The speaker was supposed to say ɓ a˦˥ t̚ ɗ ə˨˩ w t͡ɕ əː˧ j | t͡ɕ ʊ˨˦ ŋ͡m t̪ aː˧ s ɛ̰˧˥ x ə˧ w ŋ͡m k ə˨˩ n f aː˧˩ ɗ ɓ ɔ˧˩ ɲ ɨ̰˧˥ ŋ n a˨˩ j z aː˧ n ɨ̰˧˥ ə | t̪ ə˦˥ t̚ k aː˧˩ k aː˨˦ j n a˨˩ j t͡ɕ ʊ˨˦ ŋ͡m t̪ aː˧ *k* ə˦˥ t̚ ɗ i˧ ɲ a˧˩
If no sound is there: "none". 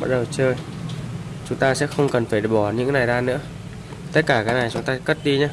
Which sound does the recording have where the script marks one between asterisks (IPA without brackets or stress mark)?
k